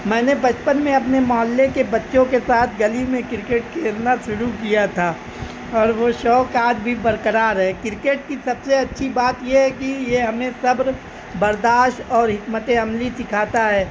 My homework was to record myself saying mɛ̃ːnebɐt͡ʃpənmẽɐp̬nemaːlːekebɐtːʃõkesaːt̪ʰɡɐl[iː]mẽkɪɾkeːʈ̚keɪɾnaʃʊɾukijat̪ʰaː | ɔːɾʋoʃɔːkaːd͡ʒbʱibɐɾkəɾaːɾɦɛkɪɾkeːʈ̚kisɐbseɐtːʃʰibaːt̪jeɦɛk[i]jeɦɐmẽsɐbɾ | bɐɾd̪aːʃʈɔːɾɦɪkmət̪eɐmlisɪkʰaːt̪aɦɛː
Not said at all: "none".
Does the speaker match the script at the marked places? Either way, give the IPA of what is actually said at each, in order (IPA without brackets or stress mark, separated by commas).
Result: i, i